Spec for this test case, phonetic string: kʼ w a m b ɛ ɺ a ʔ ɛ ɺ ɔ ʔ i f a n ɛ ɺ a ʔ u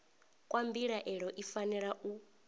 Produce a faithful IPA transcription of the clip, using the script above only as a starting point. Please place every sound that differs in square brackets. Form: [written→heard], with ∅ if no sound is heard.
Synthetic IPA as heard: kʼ w a m b [ɛ→i] ɺ a ʔ ɛ ɺ ɔ ʔ i f a n ɛ ɺ a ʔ u